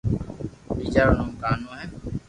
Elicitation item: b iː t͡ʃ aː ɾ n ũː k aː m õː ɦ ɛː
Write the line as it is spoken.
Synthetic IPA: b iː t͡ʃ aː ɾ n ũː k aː n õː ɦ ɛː